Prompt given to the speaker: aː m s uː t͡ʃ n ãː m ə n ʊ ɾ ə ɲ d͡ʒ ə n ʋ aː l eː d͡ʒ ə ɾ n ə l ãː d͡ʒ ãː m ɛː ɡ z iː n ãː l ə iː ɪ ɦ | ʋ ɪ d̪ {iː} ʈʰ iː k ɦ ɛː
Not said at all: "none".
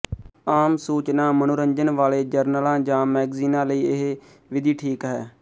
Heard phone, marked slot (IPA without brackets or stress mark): iː